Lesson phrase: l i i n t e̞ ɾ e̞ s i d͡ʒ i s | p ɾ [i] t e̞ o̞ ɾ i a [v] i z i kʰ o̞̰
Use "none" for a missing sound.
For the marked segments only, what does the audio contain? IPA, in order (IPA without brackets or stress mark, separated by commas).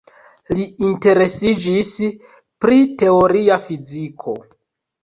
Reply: i, f